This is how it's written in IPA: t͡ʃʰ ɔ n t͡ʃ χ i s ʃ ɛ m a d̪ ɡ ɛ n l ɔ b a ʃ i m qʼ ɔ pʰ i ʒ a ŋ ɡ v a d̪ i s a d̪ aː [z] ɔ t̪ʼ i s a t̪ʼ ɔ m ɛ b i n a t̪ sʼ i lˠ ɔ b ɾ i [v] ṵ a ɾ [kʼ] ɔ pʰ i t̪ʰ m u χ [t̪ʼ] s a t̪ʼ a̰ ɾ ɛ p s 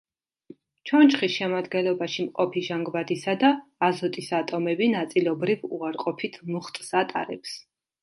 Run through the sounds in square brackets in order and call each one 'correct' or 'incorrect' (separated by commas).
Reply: correct, correct, incorrect, correct